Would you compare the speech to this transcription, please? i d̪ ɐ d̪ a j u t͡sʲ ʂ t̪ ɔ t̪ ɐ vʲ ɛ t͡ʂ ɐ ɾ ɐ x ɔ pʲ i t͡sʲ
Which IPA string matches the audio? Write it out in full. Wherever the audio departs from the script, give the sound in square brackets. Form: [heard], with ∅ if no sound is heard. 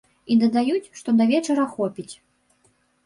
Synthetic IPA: i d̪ ɐ d̪ a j u t͡sʲ ʂ t̪ ɔ [d̪] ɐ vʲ ɛ t͡ʂ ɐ ɾ ɐ x ɔ pʲ i t͡sʲ

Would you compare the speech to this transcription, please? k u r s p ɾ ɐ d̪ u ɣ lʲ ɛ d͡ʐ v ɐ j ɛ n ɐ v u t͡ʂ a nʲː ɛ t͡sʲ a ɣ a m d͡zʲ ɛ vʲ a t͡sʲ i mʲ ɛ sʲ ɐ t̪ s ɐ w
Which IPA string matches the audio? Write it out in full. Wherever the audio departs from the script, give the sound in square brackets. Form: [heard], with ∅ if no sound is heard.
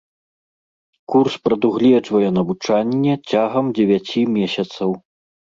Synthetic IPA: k u r s p ɾ ɐ d̪ u ɣ lʲ ɛ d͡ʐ v ɐ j ɛ n ɐ v u t͡ʂ a nʲː ɛ t͡sʲ a ɣ [ɐ] m d͡zʲ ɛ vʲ a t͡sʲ i mʲ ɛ sʲ ɐ t̪ s ɐ w

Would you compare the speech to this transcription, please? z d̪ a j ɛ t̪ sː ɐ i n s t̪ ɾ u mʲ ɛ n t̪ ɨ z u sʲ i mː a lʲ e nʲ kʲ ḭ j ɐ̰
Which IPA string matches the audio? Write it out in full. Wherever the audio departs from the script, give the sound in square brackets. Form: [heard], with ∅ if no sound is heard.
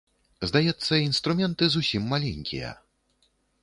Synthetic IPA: z d̪ a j ɛ t̪ sː ɐ i n s t̪ ɾ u mʲ ɛ n t̪ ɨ z u sʲ i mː a lʲ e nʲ kʲ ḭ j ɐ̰

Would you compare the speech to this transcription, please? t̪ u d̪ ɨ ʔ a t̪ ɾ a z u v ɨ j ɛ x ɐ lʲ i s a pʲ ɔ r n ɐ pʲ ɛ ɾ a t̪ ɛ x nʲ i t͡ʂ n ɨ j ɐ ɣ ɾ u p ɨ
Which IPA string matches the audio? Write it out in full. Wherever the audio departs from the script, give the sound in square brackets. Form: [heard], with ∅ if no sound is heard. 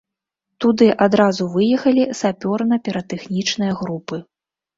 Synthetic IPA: t̪ u d̪ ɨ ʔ a [d̪] ɾ a z u v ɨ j ɛ x ɐ lʲ i s a pʲ ɔ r n ɐ pʲ ɛ ɾ [ɐ] t̪ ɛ x nʲ i t͡ʂ n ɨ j ɐ ɣ ɾ u p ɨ

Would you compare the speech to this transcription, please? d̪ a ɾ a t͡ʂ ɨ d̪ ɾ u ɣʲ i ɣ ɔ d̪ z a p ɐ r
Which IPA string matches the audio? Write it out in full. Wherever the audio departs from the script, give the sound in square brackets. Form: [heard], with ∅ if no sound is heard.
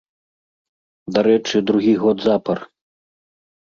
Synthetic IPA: d̪ a ɾ [ɛ] t͡ʂ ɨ d̪ ɾ u ɣʲ i ɣ ɔ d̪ z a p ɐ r

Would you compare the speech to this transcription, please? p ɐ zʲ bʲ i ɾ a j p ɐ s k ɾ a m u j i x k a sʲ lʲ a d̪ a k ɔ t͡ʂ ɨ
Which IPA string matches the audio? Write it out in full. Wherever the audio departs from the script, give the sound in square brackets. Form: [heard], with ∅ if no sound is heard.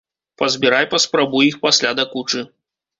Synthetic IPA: p ɐ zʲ bʲ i ɾ a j p ɐ s [p] ɾ a [b] u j i x [p] a sʲ lʲ a d̪ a k [u] t͡ʂ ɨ

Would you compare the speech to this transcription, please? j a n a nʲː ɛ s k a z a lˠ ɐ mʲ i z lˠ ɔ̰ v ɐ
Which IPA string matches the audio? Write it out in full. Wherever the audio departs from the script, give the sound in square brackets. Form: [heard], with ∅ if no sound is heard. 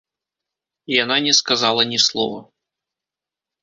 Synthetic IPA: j a n a [nʲ] ɛ s k a z a lˠ ɐ [nʲ] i [s] lˠ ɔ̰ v ɐ

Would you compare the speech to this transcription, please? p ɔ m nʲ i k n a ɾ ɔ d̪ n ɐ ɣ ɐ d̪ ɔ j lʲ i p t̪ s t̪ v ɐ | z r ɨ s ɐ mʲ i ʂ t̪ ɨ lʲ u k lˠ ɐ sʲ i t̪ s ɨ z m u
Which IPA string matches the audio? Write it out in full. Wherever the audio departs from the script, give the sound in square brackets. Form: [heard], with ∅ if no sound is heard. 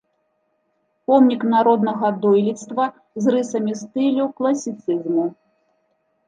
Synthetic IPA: p ɔ m nʲ i k n a ɾ ɔ d̪ n ɐ ɣ ɐ d̪ ɔ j lʲ i [∅] t̪ s t̪ v ɐ | z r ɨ s ɐ mʲ i [s] t̪ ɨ lʲ u k lˠ ɐ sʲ i t̪ s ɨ z m u

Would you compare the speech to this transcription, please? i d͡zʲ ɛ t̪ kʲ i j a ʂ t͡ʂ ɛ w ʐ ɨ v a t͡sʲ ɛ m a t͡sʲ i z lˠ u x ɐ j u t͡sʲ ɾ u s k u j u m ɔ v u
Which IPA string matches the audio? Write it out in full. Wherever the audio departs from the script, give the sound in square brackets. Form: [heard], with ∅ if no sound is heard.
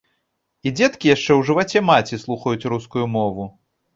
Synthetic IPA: i d͡zʲ ɛ t̪ kʲ i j a ʂ t͡ʂ ɛ w ʐ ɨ v a t͡sʲ ɛ m a t͡sʲ i [s] lˠ u x ɐ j u t͡sʲ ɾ u s k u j u m ɔ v u

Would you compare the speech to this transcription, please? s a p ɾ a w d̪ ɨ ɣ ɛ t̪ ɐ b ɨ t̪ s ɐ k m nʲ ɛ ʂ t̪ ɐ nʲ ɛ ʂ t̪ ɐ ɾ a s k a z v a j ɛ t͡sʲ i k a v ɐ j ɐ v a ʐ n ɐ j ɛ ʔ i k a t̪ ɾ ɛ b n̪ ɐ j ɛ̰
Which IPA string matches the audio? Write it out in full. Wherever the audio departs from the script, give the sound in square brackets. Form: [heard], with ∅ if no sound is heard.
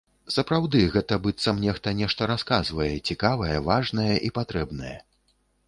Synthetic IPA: s [ɐ] p ɾ a w d̪ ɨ ɣ ɛ t̪ ɐ b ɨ t̪ s ɐ [∅] m nʲ ɛ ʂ t̪ ɐ nʲ ɛ ʂ t̪ ɐ ɾ a s k a z v [ɐ] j ɛ t͡sʲ i k a v ɐ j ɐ v a ʐ n ɐ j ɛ ʔ i [p] a t̪ ɾ ɛ b n̪ ɐ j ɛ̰

